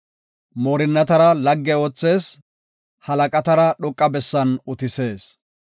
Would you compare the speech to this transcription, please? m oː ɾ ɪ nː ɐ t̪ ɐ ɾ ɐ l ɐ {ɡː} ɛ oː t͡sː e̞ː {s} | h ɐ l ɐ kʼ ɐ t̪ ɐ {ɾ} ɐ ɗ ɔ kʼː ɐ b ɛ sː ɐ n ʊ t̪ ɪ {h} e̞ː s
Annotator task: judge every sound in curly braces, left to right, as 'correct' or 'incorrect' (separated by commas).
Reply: correct, correct, correct, incorrect